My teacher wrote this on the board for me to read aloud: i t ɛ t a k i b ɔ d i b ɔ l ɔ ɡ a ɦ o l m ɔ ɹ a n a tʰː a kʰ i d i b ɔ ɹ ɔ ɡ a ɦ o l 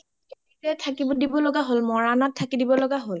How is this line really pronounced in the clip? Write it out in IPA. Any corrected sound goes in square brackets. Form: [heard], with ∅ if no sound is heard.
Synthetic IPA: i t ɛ [tʰ] a k i b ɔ d i b ɔ l ɔ ɡ a ɦ o l m ɔ ɹ a n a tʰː a [k] i d i b ɔ [l] ɔ ɡ a ɦ o l